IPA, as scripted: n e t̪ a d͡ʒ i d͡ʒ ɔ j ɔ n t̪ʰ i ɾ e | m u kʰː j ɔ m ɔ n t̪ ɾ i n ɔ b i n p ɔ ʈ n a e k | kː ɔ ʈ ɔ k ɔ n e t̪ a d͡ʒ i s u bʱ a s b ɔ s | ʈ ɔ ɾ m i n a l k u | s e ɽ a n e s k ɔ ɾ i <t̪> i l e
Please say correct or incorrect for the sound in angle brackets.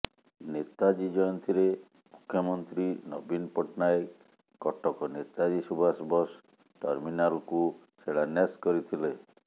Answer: incorrect